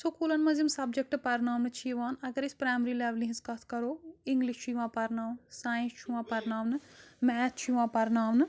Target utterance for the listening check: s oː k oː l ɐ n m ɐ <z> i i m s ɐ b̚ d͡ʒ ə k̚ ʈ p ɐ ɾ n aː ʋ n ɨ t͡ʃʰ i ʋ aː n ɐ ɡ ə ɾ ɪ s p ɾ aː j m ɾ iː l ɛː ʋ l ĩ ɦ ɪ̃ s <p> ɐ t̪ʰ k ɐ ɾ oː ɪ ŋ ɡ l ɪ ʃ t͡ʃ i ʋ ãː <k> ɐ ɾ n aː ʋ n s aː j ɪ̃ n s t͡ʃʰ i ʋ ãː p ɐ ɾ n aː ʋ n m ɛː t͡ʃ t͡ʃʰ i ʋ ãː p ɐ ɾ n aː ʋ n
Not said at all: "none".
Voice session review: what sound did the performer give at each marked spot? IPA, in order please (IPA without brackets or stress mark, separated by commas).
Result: z, k, p